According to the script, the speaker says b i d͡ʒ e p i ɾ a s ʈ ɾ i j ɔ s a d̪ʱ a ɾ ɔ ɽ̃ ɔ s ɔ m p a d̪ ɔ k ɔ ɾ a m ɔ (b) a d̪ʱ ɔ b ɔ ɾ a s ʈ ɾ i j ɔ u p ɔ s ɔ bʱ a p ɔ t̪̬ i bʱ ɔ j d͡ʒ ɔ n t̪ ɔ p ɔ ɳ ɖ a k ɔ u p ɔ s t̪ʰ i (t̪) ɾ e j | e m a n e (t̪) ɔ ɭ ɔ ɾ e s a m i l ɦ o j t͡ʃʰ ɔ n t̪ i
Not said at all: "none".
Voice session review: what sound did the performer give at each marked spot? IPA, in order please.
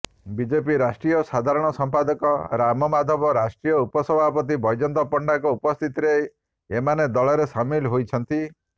m, t̪, d̪

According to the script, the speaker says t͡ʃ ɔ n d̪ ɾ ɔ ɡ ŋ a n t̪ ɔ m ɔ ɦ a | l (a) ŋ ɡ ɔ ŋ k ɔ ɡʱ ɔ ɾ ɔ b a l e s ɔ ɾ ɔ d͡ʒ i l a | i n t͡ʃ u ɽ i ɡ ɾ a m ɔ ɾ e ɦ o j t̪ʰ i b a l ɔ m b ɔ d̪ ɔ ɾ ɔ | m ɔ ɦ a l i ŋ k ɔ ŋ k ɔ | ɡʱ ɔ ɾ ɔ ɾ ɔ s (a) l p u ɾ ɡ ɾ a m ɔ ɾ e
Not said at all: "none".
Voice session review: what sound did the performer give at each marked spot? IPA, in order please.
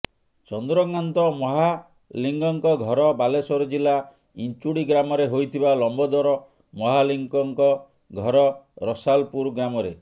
i, a

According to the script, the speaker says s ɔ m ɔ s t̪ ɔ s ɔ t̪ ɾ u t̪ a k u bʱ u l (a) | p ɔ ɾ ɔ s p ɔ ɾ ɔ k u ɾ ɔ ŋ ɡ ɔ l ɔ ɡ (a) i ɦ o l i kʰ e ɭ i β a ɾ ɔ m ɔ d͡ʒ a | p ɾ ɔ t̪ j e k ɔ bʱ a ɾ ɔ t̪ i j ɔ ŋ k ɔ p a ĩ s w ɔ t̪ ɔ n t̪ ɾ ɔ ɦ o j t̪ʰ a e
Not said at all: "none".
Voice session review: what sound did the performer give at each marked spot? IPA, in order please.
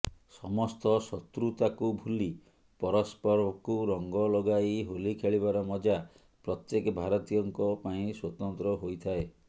i, a

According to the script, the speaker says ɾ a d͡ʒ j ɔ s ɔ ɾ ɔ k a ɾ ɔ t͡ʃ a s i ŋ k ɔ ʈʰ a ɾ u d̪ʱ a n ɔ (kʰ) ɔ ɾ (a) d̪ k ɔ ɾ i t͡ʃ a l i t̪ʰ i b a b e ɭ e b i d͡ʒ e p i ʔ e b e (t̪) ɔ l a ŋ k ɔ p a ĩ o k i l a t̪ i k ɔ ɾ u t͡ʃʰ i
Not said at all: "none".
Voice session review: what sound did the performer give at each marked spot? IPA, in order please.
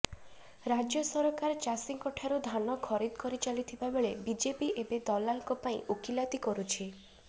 kʰ, i, d̪

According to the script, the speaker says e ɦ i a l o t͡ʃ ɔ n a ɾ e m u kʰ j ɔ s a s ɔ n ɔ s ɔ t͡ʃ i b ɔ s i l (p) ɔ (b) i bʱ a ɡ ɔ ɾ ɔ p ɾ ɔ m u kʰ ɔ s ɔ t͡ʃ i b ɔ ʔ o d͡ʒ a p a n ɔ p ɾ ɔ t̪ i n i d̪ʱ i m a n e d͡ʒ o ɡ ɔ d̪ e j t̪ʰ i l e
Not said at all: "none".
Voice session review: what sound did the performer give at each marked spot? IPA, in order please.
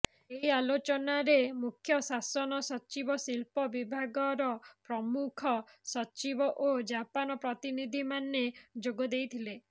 p, b

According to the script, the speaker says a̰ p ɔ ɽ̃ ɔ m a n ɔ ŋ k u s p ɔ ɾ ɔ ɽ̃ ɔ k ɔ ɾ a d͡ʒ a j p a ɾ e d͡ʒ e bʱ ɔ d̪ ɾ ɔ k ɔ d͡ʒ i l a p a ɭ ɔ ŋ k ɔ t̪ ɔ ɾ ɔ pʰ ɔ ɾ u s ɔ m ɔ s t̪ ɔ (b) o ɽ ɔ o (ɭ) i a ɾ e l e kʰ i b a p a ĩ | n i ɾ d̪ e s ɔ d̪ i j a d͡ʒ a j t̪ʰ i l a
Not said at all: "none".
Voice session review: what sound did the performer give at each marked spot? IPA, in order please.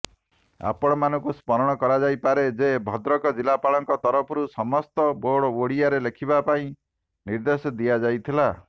b, ɽ

